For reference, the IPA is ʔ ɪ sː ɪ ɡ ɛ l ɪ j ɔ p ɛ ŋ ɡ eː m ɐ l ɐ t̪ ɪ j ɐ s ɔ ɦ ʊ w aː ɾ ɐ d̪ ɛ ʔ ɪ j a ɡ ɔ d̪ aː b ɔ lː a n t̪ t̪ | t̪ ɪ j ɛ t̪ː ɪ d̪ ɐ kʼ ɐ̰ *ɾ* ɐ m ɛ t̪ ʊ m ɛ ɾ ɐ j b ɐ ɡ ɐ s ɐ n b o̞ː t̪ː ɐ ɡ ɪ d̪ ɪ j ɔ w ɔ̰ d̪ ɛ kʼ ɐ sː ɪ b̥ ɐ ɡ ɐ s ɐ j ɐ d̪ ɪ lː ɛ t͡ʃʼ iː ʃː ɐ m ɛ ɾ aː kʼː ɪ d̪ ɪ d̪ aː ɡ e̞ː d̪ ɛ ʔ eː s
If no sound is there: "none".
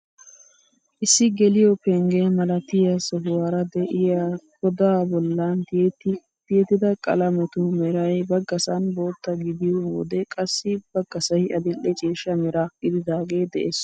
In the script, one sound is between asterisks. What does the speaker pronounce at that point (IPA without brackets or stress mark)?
l